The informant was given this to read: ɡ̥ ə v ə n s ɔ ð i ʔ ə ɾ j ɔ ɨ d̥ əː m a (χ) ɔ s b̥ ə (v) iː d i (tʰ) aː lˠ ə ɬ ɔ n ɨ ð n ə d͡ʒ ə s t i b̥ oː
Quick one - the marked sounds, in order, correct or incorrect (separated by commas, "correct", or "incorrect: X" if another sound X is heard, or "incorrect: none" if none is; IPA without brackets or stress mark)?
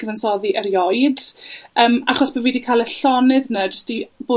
correct, correct, incorrect: kʰ